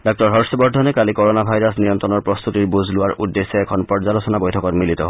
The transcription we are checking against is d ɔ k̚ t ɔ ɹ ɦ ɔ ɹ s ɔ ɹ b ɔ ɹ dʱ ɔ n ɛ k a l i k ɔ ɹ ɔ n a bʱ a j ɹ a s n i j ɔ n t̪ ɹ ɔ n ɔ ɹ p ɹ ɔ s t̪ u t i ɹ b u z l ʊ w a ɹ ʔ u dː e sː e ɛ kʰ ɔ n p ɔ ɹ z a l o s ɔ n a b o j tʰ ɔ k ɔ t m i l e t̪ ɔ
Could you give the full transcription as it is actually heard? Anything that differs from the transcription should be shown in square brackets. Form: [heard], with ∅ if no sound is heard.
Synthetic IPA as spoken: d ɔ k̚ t ɔ ɹ ɦ ɔ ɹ s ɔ [∅] b ɔ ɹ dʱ ɔ n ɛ k a l i k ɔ ɹ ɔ n a bʱ a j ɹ a s n i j ɔ n t̪ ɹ ɔ n ɔ ɹ p ɹ ɔ s t̪ u t i ɹ b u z l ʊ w a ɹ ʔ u dː e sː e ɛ kʰ ɔ n p ɔ ɹ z a l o s ɔ n a b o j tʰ ɔ k ɔ t m i l [i] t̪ ɔ